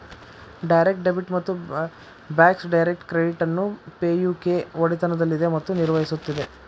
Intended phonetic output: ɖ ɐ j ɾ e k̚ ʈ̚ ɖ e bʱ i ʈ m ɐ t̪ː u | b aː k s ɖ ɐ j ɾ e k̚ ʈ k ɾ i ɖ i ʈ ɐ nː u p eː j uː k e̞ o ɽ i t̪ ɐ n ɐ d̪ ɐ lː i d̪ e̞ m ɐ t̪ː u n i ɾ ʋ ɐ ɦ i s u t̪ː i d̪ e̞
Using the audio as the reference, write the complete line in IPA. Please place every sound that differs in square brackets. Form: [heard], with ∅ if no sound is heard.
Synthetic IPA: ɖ ɐ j ɾ e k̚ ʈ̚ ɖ e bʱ i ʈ m ɐ t̪ː u | b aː k s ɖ ɐ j ɾ e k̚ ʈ k ɾ [e] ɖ i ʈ ɐ nː u p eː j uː k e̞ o ɽ i t̪ ɐ n ɐ d̪ ɐ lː i d̪ e̞ m ɐ t̪ː u n i ɾ ʋ ɐ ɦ i s u t̪ː i d̪ e̞